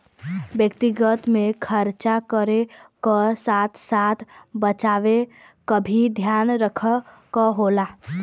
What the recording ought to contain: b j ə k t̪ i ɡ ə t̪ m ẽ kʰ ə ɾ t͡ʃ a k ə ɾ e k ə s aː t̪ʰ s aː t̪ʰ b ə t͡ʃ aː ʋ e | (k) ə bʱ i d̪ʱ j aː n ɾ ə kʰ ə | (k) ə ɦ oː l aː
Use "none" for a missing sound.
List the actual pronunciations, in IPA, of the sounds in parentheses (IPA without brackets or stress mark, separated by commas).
k, k